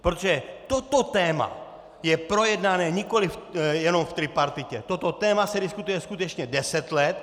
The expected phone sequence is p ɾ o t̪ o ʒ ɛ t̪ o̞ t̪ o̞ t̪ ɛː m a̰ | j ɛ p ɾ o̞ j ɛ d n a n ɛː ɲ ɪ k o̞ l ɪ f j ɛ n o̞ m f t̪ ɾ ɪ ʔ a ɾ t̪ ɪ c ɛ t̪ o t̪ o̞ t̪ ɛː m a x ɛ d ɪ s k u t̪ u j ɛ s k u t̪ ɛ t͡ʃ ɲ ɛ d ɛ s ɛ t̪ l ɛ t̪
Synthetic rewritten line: p ɾ o t̪ o ʒ ɛ t̪ o̞ t̪ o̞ t̪ ɛː m a̰ | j ɛ p ɾ o̞ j ɛ d n a n ɛː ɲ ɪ k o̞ l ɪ f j ɛ n o̞ m f t̪ ɾ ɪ p a ɾ t̪ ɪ c ɛ t̪ o t̪ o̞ t̪ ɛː m a s ɛ d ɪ s k u t̪ u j ɛ s k u t̪ ɛ t͡ʃ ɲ ɛ d ɛ s ɛ t̪ l ɛ t̪

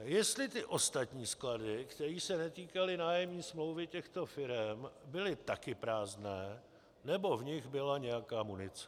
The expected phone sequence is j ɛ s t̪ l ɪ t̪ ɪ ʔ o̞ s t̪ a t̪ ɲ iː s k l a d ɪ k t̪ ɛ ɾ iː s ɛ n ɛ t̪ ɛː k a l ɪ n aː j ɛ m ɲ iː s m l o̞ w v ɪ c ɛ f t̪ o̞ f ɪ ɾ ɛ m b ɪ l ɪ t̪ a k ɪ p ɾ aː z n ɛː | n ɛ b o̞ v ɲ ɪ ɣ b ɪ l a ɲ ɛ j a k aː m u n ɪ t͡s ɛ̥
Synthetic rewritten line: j ɛ s t̪ l ɪ t̪ ɪ ʔ o̞ s t̪ a t̪ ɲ iː s k l a d ɪ k t̪ ɛ ɾ iː s ɛ n ɛ t̪ iː k a l ɪ n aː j ɛ m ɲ iː s m l o̞ w v ɪ c ɛ x t̪ o̞ f ɪ ɾ ɛ m b ɪ l ɪ t̪ a k ɪ p ɾ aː z n ɛː | n ɛ b o̞ v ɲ ɪ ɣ b ɪ l a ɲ ɛ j a k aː m u n ɪ t͡s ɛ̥

